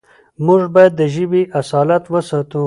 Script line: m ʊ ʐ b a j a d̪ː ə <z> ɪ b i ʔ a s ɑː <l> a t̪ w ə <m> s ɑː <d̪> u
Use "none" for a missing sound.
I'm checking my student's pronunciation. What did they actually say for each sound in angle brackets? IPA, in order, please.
ʒ, l, none, t̪

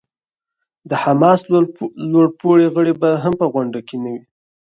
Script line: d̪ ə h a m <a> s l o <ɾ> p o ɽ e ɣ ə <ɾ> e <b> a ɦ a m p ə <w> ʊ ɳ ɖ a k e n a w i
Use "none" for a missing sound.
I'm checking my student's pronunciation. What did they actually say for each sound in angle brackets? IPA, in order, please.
ɑ, ɽ, ɽ, b, ɣ

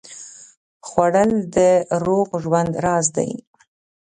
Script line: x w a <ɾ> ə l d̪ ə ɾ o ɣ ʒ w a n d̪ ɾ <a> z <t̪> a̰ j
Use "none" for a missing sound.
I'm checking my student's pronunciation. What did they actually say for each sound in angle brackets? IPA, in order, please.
ɽ, ɑ, d̪

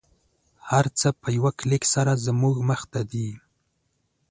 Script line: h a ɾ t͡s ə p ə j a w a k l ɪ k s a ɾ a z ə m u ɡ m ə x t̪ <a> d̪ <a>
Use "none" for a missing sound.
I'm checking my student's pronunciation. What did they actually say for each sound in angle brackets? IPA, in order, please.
a, i

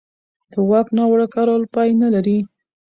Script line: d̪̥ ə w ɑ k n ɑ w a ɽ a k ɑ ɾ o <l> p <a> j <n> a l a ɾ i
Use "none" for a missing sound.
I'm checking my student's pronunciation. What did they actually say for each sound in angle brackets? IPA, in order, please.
l, ɑ, n

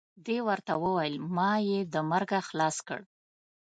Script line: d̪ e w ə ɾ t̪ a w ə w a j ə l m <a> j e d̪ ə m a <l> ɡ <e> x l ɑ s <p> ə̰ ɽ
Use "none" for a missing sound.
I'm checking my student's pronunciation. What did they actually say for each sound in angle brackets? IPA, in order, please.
ɑ, ɾ, a, k

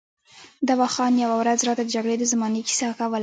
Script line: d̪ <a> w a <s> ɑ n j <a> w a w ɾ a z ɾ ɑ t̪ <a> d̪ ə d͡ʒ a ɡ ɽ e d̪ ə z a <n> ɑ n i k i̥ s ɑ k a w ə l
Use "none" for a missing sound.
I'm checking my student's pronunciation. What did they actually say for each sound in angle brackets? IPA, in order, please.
a, x, a, a, m

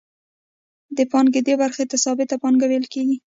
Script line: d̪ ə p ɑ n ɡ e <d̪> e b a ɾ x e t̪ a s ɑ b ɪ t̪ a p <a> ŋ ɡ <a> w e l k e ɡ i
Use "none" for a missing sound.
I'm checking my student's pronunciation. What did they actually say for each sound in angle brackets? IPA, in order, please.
d̪, ɑ, a

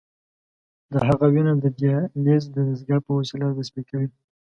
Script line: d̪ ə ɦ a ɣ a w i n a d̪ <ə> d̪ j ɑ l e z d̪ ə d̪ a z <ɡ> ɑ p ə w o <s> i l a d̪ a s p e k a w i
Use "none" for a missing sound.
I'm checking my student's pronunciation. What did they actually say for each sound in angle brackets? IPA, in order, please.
ə, ɡ, s

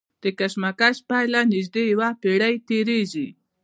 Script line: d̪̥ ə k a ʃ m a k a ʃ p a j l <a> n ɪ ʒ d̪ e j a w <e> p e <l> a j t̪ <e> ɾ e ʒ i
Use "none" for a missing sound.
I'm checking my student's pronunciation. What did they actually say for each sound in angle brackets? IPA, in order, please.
a, a, ɽ, e

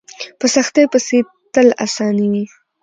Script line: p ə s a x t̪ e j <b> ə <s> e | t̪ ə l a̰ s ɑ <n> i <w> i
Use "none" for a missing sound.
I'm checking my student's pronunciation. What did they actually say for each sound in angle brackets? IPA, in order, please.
p, s, n, w

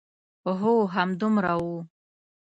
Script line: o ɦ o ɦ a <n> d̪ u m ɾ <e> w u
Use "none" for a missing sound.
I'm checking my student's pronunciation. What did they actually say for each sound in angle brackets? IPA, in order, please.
m, a

